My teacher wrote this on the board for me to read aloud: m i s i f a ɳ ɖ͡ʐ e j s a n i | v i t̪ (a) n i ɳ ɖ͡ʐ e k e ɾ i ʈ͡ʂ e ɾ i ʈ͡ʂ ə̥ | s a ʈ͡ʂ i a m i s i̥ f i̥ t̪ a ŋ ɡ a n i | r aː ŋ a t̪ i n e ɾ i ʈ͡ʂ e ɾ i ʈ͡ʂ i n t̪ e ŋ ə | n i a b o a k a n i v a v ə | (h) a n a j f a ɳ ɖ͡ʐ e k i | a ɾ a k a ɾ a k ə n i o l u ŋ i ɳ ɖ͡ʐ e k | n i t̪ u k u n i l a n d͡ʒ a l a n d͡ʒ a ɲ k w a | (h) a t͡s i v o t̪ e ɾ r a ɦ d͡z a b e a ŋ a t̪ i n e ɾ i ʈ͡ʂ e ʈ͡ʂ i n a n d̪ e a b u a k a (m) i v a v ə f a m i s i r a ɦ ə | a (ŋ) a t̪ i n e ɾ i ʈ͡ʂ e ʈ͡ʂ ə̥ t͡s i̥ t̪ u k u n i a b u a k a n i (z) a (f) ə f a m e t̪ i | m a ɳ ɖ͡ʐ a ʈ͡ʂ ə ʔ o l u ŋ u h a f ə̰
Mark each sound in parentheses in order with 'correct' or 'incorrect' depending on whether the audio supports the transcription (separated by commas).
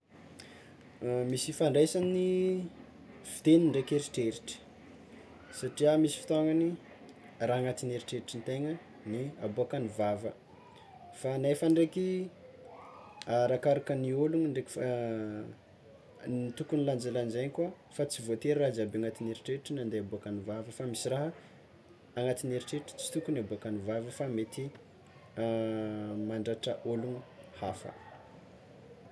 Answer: incorrect, incorrect, incorrect, incorrect, correct, incorrect, incorrect